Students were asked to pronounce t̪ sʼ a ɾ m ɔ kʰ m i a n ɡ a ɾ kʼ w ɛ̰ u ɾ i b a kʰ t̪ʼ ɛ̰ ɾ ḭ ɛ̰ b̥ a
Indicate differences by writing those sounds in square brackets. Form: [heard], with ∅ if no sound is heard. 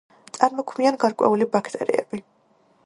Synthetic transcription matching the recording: t̪ sʼ a ɾ m ɔ kʰ m i a n ɡ a ɾ kʼ w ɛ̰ u [l] i b a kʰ t̪ʼ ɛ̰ ɾ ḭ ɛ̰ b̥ [i]